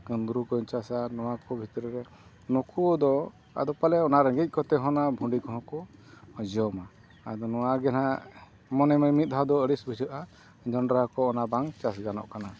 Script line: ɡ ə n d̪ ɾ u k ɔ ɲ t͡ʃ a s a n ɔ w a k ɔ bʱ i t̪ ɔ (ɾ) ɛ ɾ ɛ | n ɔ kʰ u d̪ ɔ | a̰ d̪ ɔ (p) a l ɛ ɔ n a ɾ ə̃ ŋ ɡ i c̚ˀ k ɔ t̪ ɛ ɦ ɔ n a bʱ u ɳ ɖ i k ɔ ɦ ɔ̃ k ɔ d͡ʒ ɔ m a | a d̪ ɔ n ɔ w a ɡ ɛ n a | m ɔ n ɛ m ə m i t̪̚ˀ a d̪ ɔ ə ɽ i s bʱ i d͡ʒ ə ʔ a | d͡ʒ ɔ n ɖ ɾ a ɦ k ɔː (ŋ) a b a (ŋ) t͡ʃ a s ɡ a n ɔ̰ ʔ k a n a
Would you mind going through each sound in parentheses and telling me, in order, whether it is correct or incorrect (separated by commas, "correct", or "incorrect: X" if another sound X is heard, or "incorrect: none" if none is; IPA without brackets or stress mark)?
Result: correct, correct, incorrect: n, correct